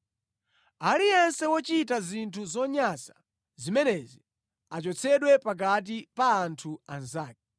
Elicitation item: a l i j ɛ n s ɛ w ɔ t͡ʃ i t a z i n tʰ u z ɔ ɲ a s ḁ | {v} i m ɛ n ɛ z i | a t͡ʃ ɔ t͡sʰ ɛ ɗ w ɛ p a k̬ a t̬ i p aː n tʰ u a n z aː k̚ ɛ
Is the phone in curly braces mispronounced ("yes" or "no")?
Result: yes